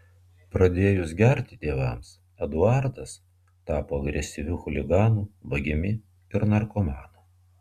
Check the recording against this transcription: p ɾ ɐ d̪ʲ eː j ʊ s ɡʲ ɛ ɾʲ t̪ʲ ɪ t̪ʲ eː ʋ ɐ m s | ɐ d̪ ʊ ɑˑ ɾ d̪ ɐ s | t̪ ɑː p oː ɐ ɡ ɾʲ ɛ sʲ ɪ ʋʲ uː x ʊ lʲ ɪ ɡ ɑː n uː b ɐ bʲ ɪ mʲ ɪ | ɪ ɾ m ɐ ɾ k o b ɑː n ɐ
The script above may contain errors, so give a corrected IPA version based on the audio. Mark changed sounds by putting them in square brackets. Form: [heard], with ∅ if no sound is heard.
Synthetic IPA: p ɾ ɐ d̪ʲ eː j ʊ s ɡʲ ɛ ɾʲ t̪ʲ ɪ t̪ʲ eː ʋ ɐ m s | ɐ d̪ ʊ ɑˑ ɾ d̪ ɐ s | t̪ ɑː p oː ɐ ɡ ɾʲ ɛ sʲ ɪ ʋʲ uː x ʊ lʲ ɪ ɡ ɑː n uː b ɐ [ɡʲ] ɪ mʲ ɪ | ɪ ɾ [n] ɐ ɾ k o [m] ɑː n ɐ